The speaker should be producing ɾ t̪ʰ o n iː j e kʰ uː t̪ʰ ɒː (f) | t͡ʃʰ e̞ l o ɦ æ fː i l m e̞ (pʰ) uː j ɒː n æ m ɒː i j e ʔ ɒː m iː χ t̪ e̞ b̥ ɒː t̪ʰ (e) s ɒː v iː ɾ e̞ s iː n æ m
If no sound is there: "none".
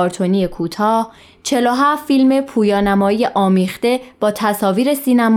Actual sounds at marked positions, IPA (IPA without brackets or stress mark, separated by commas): h, pʰ, æ